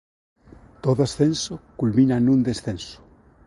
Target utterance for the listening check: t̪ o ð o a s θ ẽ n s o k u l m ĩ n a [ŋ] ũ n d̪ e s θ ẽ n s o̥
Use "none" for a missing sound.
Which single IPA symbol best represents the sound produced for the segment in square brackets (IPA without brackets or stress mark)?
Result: n